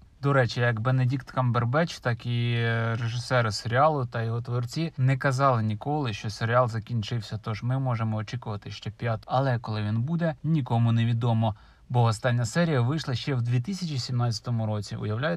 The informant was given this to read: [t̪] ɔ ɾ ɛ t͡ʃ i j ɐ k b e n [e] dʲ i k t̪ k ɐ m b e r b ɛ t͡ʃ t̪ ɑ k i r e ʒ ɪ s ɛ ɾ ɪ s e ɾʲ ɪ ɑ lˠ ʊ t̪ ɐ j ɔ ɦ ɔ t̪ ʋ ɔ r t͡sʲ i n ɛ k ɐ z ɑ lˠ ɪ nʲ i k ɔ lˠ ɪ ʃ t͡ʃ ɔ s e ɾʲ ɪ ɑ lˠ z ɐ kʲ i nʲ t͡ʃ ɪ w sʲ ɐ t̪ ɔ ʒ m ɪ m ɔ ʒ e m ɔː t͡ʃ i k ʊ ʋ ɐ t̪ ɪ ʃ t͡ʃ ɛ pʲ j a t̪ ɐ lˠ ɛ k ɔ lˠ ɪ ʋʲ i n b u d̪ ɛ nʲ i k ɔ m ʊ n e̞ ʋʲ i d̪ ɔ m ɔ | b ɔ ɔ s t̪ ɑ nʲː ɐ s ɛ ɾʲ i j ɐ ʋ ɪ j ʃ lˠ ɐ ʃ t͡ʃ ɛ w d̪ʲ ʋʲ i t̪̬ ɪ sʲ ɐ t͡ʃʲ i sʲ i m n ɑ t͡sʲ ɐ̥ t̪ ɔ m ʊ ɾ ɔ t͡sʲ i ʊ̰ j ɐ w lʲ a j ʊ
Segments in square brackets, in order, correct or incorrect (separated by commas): incorrect, correct